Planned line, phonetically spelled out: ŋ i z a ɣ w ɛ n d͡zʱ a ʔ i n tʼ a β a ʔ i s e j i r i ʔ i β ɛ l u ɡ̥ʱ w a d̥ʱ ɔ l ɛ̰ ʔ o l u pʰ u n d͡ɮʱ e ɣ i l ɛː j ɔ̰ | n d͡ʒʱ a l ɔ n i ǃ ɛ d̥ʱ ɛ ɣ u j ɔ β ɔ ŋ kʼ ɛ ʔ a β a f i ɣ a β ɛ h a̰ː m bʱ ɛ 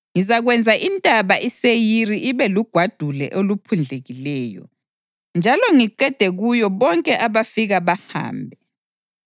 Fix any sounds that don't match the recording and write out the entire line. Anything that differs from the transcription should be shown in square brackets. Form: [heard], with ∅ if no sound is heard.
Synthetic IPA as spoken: ŋ i z a ɣ w ɛ n d͡zʱ a ʔ i n tʼ a β a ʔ i s e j i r i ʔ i β ɛ l u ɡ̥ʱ w a d̥ʱ [u] l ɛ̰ ʔ o l u pʰ u n d͡ɮʱ e ɣ i l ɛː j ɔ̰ | n d͡ʒʱ a l ɔ [ŋ] i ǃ ɛ d̥ʱ ɛ ɣ u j ɔ β ɔ ŋ kʼ ɛ ʔ a β a f i ɣ a β [a] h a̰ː m bʱ ɛ